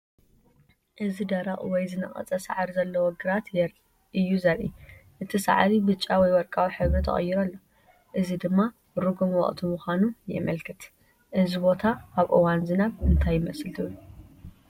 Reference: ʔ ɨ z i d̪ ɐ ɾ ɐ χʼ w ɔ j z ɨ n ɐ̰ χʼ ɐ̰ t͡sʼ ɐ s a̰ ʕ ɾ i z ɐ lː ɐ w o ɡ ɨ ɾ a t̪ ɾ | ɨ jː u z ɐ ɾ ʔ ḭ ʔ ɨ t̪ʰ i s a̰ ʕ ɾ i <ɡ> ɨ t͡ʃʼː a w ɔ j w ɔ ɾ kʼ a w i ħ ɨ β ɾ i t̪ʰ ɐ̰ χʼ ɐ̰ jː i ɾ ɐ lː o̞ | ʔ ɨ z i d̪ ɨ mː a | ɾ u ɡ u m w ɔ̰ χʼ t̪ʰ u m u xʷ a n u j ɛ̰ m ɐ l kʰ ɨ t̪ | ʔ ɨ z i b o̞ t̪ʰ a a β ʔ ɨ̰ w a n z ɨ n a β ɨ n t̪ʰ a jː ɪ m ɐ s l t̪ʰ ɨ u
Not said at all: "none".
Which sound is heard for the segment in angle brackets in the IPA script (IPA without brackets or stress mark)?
b